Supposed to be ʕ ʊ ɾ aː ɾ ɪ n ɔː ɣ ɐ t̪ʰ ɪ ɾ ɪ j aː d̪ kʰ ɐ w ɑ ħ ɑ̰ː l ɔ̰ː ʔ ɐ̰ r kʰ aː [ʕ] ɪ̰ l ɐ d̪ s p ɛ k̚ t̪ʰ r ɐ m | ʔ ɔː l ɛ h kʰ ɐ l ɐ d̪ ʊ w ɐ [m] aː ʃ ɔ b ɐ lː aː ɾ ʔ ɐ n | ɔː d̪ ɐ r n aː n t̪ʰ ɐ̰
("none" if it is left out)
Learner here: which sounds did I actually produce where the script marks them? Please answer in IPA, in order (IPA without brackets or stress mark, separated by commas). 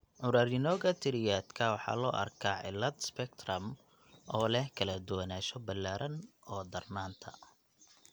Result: ʕ, n